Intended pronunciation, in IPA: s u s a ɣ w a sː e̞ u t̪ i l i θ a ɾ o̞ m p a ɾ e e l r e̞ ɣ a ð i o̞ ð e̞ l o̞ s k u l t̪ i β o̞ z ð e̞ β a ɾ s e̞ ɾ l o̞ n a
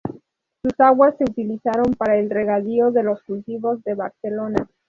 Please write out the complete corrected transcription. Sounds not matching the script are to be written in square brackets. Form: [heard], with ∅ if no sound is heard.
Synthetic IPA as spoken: s u s a ɣ w a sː e̞ u t̪ i l i [s] a ɾ o̞ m p a ɾ [a] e l r e̞ ɣ a ð i o̞ ð e̞ l o̞ s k u l t̪ i β o̞ z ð e̞ β a ɾ s e̞ [∅] l o̞ n a

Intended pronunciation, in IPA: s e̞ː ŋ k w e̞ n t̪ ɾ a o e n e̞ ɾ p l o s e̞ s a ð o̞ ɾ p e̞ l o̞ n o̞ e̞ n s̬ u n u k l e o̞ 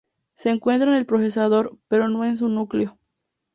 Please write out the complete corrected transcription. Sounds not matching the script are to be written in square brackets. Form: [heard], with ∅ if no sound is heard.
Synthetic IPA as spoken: s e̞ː ŋ k w e̞ n t̪ ɾ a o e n e̞ [l] p [ɾ] o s e̞ s a ð o̞ ɾ p e̞ [ɾ] o̞ n o̞ e̞ n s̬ u n u k l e o̞

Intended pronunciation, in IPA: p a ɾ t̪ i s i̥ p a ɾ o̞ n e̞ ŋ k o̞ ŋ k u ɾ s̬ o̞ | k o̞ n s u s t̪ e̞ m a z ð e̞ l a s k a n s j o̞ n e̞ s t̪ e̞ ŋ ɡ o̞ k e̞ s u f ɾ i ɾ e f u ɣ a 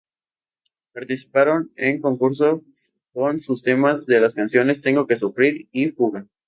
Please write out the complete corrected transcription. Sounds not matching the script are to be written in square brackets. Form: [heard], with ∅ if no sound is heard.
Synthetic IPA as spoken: p a ɾ t̪ i s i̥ p a ɾ o̞ n e̞ ŋ k o̞ ŋ k u ɾ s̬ o̞ | k o̞ n s u s t̪ e̞ m a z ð e̞ l a s k a n s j o̞ n e̞ s t̪ e̞ ŋ ɡ o̞ k e̞ s u f ɾ i ɾ [i] f u ɣ a

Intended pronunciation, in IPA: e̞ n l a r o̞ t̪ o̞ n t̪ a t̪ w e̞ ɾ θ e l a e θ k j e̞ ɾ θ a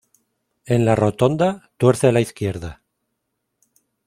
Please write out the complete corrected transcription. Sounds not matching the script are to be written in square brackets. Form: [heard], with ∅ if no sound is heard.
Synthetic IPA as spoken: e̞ n l a r o̞ t̪ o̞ n [d̪] a t̪ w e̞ ɾ θ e l a [i] θ k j e̞ ɾ [ð] a

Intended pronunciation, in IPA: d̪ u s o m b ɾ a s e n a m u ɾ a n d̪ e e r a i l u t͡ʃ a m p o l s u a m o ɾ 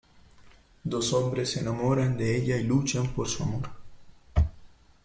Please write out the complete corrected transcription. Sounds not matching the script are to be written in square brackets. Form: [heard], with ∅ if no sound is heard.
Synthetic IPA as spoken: d̪ [o] s o m b ɾ [e] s e n a m [o] ɾ a n d̪ e e [ʎ] a i l u t͡ʃ a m p o [ɾ] s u a m o ɾ

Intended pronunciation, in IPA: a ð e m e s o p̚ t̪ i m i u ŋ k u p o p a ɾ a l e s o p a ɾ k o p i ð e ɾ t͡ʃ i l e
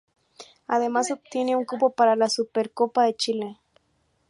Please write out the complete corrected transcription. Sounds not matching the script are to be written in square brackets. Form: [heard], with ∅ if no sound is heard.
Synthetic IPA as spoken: a ð e m [a] s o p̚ t̪ i [n] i u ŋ k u p o p a ɾ a l [a] s [u] p [e] ɾ k o p [a] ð e [∅] t͡ʃ i l e

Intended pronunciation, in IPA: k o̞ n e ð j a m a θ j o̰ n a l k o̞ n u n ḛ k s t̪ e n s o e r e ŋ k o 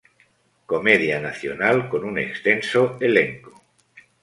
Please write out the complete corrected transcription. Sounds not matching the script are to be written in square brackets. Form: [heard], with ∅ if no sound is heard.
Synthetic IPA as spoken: k o̞ [m] e ð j a [n] a θ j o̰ n a l k o̞ n u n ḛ k s t̪ e n s o e [l] e ŋ k o

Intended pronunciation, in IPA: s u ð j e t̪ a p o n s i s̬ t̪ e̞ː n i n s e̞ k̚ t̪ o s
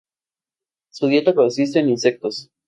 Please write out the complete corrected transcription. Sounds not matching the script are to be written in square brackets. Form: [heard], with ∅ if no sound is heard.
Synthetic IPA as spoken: s u ð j e t̪ a [k] o n s i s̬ t̪ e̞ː n i n s e̞ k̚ t̪ o s

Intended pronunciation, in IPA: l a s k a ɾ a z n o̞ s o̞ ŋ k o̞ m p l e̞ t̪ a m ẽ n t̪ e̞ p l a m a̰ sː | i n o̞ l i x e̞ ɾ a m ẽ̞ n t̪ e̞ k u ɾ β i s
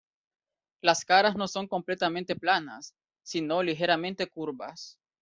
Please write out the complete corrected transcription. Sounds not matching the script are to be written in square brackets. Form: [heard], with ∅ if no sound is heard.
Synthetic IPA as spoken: l a s k a ɾ a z n o̞ s o̞ ŋ k o̞ m p l e̞ t̪ a m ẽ n t̪ e̞ p l a [n] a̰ sː | i n o̞ l i x e̞ ɾ a m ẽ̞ n t̪ e̞ k u ɾ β [a] s

